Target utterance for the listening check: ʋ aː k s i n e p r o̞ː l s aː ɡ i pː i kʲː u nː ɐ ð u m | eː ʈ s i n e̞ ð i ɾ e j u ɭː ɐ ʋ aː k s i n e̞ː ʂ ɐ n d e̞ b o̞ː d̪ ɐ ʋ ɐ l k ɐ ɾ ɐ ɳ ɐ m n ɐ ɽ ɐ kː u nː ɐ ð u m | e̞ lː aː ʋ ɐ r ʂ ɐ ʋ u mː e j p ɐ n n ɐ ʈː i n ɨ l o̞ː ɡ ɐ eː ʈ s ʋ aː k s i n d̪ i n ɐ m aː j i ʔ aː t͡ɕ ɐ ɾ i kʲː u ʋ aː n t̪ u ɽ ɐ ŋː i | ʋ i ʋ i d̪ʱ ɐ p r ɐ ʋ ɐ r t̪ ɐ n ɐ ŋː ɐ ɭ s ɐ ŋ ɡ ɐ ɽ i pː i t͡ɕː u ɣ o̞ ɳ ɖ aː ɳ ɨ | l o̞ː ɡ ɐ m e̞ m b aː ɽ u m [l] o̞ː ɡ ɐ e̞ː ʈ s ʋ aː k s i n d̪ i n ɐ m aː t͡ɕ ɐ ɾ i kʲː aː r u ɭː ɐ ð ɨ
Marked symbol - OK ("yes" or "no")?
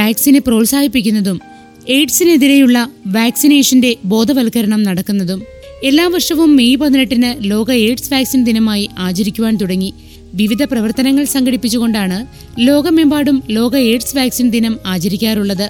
yes